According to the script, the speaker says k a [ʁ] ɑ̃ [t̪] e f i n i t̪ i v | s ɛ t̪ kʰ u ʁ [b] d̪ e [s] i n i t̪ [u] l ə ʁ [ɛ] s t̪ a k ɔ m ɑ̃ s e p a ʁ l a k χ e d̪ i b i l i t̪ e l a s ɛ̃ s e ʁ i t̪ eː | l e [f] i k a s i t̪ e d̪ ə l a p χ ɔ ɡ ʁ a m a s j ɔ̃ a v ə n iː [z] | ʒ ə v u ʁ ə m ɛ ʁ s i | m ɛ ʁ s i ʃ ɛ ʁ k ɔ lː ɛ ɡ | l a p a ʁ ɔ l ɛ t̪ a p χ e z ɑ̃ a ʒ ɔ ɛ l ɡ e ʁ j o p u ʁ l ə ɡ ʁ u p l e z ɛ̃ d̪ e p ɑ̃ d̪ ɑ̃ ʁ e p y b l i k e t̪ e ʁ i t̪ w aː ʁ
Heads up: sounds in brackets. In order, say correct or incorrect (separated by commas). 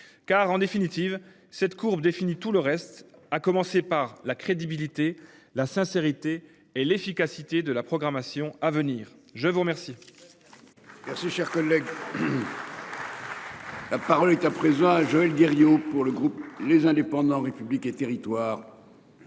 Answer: correct, incorrect, correct, incorrect, correct, correct, correct, incorrect